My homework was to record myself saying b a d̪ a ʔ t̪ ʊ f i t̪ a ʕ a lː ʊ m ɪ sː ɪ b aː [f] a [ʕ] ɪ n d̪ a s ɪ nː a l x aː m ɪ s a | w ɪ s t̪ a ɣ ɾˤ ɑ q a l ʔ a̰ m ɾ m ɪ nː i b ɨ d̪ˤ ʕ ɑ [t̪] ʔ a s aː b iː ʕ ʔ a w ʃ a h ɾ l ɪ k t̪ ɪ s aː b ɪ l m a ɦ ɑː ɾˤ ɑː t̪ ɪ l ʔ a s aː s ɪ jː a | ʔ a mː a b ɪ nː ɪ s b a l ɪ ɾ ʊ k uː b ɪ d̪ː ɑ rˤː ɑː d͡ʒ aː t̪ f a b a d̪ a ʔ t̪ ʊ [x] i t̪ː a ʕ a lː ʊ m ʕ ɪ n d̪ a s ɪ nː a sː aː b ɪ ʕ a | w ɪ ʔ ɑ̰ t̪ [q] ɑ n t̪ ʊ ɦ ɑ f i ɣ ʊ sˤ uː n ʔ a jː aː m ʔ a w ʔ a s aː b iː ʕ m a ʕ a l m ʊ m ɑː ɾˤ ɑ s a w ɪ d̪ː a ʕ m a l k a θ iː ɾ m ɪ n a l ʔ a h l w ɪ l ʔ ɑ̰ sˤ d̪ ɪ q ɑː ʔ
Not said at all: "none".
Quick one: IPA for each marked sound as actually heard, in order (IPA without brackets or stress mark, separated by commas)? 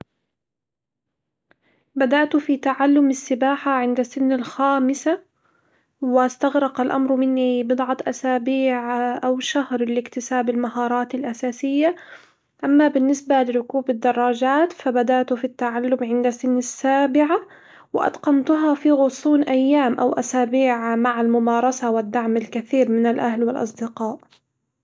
ħ, ʕ, t̪, f, q